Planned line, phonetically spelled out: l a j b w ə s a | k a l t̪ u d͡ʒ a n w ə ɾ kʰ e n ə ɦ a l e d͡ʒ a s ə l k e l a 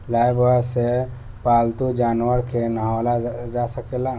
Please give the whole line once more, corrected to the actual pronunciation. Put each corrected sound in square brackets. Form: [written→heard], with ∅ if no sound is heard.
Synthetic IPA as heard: l a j b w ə s [a→e] | [k→p] a l t̪ u d͡ʒ a n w ə ɾ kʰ e n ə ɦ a l [e→a] d͡ʒ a s ə [l→∅] k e l a